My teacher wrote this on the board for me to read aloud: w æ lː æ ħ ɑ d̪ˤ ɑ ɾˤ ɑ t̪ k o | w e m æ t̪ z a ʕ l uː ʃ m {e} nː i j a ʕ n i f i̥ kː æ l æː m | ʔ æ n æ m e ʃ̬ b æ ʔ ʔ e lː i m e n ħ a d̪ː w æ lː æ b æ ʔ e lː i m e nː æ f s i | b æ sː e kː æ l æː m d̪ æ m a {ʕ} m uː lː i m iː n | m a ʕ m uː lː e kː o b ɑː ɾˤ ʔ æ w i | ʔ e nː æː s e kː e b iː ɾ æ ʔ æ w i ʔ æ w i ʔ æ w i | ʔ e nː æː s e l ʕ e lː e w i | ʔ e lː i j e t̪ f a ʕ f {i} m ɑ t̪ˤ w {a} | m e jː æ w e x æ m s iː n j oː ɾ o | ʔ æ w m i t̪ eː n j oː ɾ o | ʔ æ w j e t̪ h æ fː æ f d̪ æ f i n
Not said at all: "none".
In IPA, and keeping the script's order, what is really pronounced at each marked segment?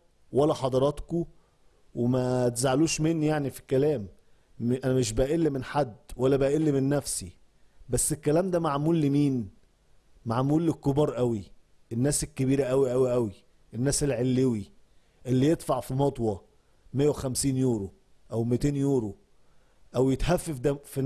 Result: e, ʕ, i, ɑ

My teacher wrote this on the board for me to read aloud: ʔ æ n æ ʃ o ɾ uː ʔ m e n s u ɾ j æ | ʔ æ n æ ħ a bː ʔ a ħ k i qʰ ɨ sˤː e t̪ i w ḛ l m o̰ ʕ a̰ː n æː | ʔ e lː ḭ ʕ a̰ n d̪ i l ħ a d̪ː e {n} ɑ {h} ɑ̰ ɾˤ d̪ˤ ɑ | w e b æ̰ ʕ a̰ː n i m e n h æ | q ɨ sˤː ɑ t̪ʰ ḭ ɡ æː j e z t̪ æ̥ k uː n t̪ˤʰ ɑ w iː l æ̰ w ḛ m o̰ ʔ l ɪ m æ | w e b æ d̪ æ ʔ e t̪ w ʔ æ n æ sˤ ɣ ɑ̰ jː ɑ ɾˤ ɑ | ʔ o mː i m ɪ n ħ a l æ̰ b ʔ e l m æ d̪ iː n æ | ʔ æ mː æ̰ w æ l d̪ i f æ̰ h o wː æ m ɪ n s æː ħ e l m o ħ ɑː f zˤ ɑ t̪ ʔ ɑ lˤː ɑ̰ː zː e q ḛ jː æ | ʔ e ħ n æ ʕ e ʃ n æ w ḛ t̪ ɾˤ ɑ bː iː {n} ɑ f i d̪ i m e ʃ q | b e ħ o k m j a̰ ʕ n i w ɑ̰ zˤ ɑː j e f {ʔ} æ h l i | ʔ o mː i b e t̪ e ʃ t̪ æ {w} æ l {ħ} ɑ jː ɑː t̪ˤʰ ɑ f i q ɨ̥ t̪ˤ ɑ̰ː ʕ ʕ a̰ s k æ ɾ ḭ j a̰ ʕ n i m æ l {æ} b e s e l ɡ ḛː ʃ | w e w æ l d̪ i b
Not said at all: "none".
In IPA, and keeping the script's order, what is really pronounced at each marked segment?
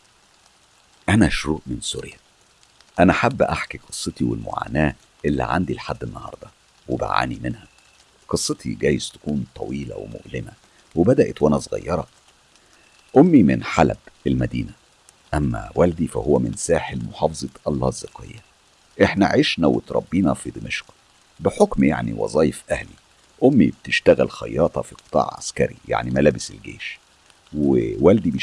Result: nː, h, n, ʔ, ɣ, x, æː

